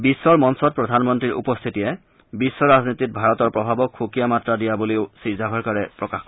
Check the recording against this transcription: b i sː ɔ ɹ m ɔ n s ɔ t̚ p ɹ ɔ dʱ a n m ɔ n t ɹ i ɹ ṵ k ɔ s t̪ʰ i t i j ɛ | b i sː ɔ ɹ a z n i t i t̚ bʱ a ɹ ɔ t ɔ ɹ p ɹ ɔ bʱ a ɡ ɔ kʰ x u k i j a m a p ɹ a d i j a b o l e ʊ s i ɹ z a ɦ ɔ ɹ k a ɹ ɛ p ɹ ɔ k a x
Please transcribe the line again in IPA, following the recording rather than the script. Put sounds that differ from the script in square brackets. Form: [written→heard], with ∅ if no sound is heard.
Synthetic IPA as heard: b i sː ɔ ɹ m ɔ n s ɔ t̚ p ɹ ɔ dʱ a n m ɔ n t ɹ i ɹ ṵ [k→p] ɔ s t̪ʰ i t i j ɛ | b i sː ɔ ɹ a z n i t i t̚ bʱ a ɹ ɔ t ɔ ɹ p ɹ ɔ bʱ a [ɡ→b] ɔ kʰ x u k i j a m a [p→t] ɹ a d i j a b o l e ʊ s i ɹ z a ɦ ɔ ɹ k a ɹ ɛ p ɹ ɔ k a x